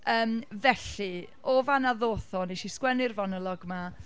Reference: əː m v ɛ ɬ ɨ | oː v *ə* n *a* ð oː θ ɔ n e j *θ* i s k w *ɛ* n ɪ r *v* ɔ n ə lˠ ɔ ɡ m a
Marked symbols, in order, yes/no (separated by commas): no, yes, no, yes, yes